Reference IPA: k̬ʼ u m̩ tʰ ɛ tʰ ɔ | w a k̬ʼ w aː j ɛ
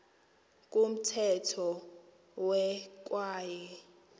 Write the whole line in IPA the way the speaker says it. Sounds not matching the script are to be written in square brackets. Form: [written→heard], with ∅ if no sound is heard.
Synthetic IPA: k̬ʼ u m̩ tʰ ɛ tʰ ɔ | w [a→ɛ] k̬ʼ w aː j ɛ